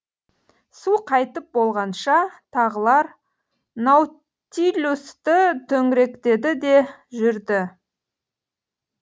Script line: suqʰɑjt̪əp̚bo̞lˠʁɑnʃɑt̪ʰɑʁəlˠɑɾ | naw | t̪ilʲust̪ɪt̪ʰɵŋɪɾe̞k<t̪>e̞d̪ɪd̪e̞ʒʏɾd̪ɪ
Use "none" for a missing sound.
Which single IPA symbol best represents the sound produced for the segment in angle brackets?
t̪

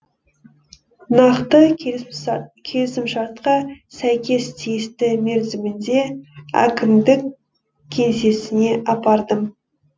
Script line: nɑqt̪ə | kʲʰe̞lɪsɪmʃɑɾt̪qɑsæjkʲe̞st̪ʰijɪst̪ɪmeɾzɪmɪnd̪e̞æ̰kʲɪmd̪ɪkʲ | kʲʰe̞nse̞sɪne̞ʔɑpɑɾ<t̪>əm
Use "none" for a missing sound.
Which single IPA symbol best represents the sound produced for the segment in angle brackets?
d̪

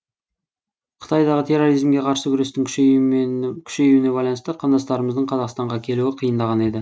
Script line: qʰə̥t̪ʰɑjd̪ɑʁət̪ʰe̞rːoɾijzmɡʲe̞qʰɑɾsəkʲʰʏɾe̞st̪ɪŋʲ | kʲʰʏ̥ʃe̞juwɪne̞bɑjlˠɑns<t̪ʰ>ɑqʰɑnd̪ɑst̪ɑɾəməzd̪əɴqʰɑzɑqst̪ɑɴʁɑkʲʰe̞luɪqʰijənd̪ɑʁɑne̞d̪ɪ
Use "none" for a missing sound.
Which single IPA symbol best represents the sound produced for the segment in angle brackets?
t̪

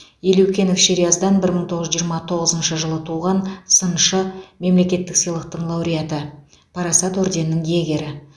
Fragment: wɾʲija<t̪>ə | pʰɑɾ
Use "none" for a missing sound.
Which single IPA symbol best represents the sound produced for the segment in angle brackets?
t̪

